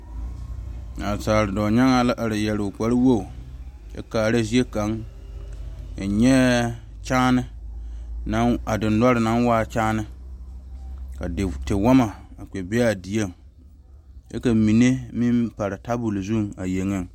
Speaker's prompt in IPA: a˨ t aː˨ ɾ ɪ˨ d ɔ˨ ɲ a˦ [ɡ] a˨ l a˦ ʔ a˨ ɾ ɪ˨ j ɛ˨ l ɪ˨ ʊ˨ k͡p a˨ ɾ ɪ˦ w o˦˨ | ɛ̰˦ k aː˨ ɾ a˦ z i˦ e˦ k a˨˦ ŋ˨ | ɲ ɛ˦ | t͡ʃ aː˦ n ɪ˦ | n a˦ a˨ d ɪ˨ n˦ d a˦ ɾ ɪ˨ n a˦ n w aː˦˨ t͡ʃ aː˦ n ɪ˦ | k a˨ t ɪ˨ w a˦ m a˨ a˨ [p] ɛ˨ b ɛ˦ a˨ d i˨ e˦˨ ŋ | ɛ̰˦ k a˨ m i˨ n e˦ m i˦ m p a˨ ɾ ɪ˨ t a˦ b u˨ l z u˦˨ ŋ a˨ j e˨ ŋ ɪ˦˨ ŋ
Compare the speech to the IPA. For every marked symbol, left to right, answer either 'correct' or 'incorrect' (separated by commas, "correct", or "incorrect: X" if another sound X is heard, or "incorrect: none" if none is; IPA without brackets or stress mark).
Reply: incorrect: ŋ, incorrect: k͡p